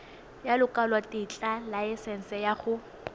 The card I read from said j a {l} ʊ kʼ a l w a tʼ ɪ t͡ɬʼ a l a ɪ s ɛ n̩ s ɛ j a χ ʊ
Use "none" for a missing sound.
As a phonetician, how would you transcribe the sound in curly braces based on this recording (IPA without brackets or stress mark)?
l